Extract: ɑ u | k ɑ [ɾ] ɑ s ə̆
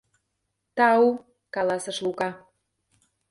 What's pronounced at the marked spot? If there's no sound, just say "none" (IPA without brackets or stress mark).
l